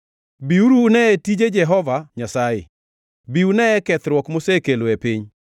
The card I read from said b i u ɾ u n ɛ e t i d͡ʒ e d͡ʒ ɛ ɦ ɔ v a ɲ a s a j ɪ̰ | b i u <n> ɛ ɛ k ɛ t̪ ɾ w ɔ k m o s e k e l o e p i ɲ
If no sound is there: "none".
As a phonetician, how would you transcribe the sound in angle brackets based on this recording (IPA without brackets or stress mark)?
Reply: n